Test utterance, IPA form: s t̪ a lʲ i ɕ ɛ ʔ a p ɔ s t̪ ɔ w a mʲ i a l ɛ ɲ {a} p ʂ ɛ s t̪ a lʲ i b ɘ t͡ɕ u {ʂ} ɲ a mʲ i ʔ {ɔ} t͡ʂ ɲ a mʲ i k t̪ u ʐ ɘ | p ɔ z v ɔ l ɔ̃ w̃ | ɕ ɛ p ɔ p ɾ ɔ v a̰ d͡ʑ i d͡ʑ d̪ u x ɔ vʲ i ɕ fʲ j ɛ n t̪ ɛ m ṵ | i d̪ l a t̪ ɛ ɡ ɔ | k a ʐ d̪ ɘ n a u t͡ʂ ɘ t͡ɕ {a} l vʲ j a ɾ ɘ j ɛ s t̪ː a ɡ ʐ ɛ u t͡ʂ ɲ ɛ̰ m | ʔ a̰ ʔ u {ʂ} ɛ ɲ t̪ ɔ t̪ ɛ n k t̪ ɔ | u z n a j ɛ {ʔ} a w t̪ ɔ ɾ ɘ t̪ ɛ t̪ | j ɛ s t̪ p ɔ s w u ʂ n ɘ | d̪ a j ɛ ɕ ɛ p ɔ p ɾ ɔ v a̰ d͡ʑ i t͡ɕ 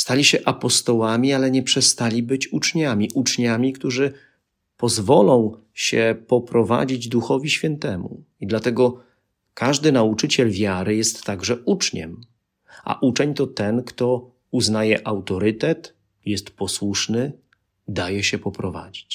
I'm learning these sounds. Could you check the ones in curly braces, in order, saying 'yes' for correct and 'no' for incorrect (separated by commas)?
no, no, no, no, no, yes